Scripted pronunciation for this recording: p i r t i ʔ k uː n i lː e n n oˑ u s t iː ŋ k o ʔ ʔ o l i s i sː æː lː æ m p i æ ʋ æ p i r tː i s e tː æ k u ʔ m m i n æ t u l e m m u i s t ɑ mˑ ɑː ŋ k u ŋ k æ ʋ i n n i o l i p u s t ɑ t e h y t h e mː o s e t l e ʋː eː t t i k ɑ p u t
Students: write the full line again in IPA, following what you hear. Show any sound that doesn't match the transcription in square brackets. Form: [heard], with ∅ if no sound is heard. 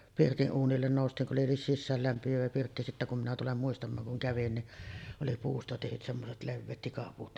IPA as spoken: p i r t i ʔ [ʔ] uː n i lː e n n oˑ u s t iː ŋ k [u] ʔ ʔ o l i s i sː æː lː æ m p i æ ʋ æ p i r tː i s [i] tː æ k u [∅] m m i n æ t u l e m m u i s t ɑ mˑ ɑː ŋ k u ŋ k æ ʋ i n n i o l i p [uː] s t ɑ t e h y t [s] e mː o s e t l e ʋː eː t t i k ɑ p [uː] t

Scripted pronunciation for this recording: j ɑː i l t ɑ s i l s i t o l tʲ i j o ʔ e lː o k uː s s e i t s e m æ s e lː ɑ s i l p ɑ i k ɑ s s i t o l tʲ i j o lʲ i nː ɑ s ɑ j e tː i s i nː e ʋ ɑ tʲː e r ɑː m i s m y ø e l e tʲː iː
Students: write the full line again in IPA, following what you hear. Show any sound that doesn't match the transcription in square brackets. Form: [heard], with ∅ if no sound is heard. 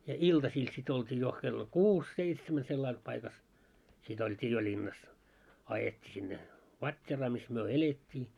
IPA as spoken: j [ɑ] i l t ɑ s [iː] l s i t o l tʲ [iː] j o [k] e lː o k uː s s e i t s e m æ s e lː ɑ [∅] i l p ɑ i k ɑ s s i t o l tʲ [iː] j o lʲ i nː ɑ s ɑ j e tː i s i nː e ʋ ɑ tʲː e r ɑː m i s m y ø e l e tʲː iː

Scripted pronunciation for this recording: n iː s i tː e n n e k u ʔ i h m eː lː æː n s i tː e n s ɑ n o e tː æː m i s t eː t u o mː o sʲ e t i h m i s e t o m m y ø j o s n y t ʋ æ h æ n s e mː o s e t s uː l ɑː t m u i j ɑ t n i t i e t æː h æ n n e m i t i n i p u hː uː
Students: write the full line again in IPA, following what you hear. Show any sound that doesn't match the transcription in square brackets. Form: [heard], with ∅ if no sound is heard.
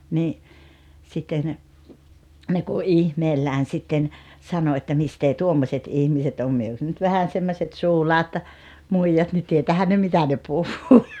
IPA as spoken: n iː s i tː e n n e k u ʔ i h m eː lː æː n s i tː e n s ɑ n o e tː [æ] m i s t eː t u o mː o sʲ e t i h m i s e t o m m y ø j o s n y t ʋ æ h æ n s e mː o s e t s uː l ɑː t m u i j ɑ t n i t i e t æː h æ n n e m i t [æ] n [e] p u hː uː

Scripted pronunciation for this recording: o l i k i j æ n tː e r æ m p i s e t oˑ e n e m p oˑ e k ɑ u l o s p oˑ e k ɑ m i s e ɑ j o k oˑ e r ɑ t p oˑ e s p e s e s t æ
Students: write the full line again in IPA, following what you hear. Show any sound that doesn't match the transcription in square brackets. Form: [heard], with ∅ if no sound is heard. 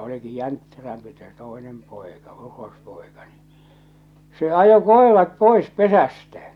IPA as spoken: o l i k i j æ n tː e r æ m p i s e t oˑ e n e m p oˑ e k ɑ u [r] o s p oˑ e k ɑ [n] i s e ɑ j o k oˑ e r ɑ t p oˑ e s p e s [æ] s t æ

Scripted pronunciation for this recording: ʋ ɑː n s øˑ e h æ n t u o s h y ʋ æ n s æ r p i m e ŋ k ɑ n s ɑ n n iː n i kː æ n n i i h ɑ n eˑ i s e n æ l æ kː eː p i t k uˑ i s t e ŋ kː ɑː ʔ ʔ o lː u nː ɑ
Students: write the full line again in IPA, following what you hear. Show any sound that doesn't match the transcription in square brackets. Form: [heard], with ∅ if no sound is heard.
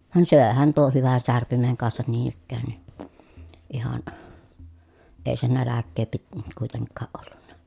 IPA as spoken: ʋ [ɑ] n s øˑ e h æ n t u o [h] h y ʋ æ n s æ r p i m e ŋ k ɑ n s ɑ n n iː n i kː [æː] n n i i h ɑ n eˑ i s e n æ l æ kː eː p i t k uˑ i [∅] t e ŋ kː ɑː ʔ ʔ o lː u nː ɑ

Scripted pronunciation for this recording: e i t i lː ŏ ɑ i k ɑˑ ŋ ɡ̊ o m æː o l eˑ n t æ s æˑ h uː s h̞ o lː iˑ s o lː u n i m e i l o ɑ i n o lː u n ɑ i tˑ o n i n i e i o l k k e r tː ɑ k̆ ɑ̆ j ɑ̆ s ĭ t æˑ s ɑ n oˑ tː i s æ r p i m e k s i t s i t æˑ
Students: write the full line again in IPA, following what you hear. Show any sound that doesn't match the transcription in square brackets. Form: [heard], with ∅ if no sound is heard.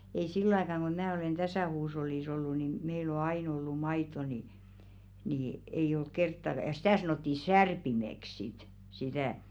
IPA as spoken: e i [s] i lː ŏ ɑ i k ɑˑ ŋ ɡ̊ o m æː o l eˑ n t æ s æˑ h uː s h̞ o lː iˑ s o lː u n i m e i l o ɑ i n o lː u [m] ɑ i tˑ o n i n i e i o l k k e r tː ɑ k̆ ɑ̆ j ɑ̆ s ĭ t æˑ s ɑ n oˑ tː i s æ r p i m e k s i t s i t æˑ

